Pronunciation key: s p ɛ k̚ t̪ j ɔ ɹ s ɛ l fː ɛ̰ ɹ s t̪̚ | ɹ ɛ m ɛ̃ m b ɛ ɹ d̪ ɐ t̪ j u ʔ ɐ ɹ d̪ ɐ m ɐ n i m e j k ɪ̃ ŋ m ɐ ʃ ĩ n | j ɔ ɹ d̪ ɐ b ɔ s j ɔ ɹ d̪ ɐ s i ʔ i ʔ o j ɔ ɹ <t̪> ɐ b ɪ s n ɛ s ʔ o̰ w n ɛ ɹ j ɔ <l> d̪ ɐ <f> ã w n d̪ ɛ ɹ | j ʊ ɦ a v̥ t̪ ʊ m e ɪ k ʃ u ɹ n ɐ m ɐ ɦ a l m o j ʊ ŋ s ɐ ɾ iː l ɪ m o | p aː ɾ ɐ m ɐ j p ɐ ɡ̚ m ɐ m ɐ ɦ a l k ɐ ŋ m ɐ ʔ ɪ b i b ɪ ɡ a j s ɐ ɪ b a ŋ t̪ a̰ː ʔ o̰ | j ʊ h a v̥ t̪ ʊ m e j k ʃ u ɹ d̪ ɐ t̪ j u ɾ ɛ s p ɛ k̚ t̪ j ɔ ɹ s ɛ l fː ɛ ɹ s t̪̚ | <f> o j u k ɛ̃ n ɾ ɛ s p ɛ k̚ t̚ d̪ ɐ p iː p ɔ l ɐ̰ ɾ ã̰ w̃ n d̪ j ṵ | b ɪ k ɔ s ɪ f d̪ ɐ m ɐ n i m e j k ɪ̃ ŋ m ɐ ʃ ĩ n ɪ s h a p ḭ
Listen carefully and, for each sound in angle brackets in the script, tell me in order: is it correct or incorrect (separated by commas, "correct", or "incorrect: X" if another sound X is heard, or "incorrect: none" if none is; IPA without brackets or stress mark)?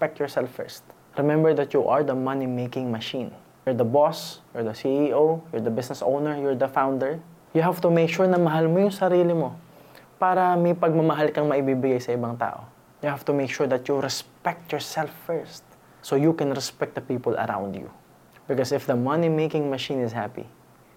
incorrect: d̪, incorrect: ɹ, correct, incorrect: s